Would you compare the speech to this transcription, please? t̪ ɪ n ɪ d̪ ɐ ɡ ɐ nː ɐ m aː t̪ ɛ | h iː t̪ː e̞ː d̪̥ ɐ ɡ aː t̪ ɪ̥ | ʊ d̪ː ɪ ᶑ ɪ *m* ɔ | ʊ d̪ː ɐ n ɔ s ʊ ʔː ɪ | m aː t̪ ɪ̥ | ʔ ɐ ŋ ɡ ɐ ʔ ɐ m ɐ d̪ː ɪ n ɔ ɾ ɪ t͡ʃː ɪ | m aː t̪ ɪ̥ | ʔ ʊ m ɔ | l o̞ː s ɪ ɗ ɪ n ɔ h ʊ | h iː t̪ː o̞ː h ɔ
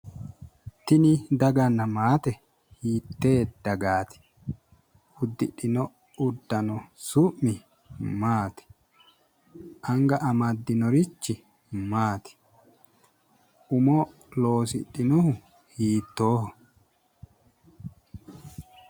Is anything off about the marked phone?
yes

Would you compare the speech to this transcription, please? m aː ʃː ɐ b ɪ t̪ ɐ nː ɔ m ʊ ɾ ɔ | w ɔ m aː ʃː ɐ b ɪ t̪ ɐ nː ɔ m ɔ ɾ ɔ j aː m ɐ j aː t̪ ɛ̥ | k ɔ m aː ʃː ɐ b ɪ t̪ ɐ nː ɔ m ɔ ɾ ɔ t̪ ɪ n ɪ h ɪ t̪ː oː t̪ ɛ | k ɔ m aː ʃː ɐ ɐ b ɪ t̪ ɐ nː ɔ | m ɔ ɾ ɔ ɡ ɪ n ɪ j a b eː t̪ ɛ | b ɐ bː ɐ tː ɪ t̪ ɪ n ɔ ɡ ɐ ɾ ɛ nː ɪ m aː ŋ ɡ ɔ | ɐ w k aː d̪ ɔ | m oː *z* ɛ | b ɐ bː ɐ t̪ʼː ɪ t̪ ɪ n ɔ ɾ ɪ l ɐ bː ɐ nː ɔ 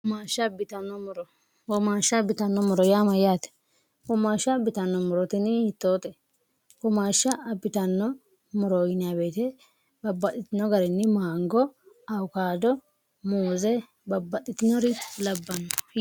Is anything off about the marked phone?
no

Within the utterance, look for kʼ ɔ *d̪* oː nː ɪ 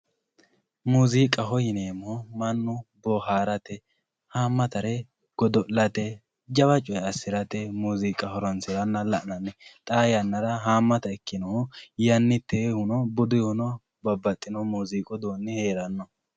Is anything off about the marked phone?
no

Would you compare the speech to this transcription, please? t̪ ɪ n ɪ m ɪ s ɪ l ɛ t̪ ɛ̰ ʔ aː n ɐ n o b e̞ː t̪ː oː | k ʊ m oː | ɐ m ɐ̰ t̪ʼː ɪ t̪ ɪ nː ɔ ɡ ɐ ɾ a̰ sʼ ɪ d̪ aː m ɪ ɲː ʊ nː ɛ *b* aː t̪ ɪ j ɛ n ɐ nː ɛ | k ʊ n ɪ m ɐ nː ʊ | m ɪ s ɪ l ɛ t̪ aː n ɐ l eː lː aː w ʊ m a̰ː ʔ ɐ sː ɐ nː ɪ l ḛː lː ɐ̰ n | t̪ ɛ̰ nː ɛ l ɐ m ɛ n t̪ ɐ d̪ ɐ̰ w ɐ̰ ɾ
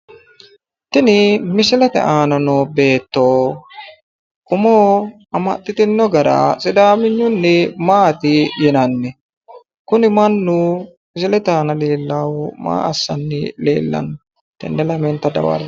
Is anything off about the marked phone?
yes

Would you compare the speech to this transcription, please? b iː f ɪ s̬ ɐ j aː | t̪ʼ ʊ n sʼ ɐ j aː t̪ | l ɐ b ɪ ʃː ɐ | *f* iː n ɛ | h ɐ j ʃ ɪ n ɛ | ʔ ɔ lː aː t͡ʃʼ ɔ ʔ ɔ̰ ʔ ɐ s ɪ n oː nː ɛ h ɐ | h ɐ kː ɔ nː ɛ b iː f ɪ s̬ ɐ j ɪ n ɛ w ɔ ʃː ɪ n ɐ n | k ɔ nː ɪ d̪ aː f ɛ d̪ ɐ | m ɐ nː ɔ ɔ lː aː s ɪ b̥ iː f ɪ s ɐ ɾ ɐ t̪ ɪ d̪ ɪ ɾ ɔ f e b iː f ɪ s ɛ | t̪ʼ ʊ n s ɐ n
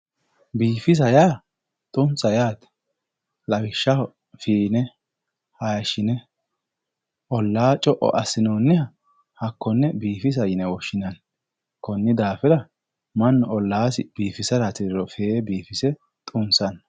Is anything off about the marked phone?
no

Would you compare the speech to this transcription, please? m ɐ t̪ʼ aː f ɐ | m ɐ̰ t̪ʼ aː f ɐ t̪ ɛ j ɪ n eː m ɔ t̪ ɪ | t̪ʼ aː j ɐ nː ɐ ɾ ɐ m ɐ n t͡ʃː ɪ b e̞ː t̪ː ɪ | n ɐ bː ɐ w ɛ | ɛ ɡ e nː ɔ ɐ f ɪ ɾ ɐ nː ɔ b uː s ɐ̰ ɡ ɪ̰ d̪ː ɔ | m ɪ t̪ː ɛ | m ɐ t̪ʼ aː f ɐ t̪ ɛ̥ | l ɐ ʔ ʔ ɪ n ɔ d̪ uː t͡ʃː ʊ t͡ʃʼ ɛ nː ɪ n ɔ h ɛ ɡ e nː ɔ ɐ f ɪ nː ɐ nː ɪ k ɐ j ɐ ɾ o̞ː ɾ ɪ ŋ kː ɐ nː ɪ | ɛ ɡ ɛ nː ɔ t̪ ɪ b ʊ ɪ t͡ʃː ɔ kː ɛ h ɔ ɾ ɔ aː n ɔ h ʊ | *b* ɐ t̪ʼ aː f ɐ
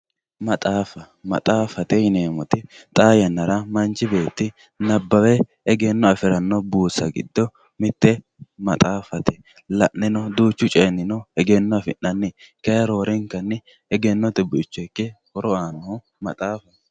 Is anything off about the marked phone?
yes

